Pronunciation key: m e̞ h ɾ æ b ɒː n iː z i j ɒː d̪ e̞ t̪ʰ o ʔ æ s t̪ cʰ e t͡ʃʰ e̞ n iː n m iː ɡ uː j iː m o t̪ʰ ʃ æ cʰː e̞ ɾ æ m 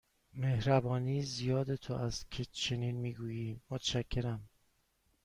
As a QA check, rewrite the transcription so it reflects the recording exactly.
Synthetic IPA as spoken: m e̞ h ɾ æ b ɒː n iː z i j ɒː d̪ e̞ t̪ʰ o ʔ æ s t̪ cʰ e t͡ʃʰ e̞ n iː n m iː ɡ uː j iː m o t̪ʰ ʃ æ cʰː e̞ ɾ æ m